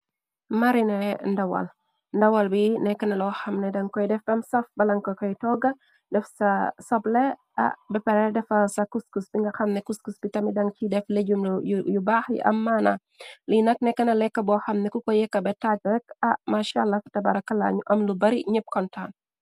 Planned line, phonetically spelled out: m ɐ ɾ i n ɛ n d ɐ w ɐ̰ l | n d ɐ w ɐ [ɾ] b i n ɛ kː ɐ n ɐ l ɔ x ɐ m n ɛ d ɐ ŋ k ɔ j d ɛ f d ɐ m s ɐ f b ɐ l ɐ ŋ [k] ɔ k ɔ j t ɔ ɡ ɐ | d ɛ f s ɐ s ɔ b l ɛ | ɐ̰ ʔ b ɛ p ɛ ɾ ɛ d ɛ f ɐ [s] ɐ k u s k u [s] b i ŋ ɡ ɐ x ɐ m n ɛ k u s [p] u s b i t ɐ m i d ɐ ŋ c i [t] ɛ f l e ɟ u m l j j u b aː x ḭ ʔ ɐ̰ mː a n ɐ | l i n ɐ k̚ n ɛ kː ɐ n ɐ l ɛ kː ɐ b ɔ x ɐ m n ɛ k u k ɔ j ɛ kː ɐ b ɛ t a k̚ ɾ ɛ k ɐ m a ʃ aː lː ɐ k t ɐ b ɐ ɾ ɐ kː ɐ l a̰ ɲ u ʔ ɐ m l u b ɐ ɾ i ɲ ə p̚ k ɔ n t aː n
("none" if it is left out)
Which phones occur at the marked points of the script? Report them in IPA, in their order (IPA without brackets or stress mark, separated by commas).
l, k, s, s, k, d